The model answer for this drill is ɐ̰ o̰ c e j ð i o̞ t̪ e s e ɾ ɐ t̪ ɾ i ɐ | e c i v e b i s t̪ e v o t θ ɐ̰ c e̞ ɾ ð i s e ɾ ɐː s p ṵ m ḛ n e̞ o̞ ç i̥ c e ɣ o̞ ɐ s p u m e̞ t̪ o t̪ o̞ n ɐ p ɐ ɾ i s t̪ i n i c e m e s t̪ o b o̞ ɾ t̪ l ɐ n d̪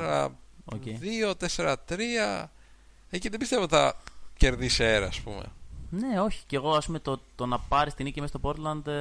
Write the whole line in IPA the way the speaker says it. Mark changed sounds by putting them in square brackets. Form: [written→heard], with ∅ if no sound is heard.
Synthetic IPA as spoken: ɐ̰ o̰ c e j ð i o̞ t̪ e s e ɾ ɐ t̪ ɾ i ɐ | e c i [v→ð] e b i s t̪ e v o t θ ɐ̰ c e̞ ɾ ð i s e ɾ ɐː s p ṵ m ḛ n e̞ o̞ ç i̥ c e ɣ o̞ ɐ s p u m e̞ t̪ o t̪ o̞ n ɐ p ɐ ɾ i s t̪ i n i c [e→i] m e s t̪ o [b→p] o̞ ɾ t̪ l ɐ n d̪